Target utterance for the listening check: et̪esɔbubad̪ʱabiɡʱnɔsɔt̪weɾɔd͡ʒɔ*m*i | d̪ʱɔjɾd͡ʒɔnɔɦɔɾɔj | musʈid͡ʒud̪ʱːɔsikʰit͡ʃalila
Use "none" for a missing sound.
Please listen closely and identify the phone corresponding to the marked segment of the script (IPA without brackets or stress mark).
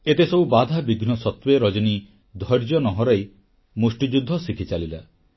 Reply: n